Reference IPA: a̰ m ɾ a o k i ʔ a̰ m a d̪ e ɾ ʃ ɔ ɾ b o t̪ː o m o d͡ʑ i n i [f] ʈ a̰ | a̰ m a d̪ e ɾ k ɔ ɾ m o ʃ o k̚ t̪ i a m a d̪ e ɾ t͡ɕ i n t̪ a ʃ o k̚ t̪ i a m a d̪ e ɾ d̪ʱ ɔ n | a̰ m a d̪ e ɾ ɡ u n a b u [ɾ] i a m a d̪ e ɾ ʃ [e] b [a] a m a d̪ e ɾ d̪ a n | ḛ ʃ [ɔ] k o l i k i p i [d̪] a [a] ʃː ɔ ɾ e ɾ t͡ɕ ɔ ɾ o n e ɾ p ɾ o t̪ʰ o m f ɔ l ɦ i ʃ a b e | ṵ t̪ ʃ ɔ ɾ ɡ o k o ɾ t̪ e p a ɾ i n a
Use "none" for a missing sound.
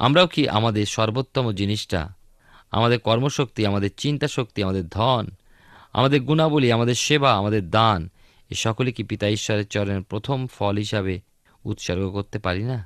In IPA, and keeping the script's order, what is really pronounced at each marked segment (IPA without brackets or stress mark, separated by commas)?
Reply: ʃ, l, e, a, ɔ, t̪, i